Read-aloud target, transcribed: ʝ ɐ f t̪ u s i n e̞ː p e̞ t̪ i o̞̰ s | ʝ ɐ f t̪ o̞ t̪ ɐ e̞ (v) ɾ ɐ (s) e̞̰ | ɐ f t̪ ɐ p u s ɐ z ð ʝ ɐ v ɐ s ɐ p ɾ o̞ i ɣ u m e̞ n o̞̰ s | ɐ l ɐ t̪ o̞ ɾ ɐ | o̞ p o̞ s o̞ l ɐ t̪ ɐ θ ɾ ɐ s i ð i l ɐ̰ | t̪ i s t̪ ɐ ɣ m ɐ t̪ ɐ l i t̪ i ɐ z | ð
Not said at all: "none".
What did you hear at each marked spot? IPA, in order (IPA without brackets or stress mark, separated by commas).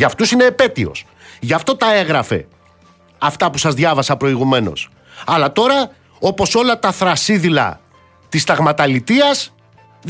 ɣ, f